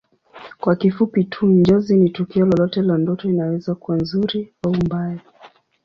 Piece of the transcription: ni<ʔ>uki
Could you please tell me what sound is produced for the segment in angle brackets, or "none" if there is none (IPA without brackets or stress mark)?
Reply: t